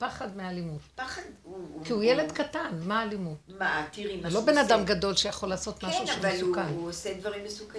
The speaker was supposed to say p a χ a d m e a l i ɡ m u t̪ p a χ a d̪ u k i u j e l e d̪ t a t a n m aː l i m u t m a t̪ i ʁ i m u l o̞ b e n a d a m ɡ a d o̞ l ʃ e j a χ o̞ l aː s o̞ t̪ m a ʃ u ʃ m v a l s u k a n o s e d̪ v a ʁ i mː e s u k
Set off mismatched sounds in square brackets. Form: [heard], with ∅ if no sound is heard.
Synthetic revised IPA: p a χ a d m e a l i [∅] m u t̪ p a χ a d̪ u k i u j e l e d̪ [k] a t a n m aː l i m u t m a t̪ i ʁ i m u l o̞ b e n a d a m ɡ a d o̞ l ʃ e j a χ o̞ l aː s o̞ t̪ m a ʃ u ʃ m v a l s u k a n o s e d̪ v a ʁ i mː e s u k